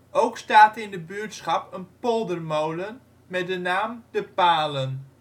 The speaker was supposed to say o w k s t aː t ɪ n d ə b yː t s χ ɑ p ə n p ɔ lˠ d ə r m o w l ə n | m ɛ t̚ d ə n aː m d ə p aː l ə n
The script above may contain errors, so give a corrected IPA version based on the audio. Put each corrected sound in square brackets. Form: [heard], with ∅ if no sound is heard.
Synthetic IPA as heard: o w k s t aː t ɪ n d ə b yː t s χ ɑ p ə n p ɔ lˠ d ə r m o w l ə n | m ɛ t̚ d ə n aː m d ə p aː l ə n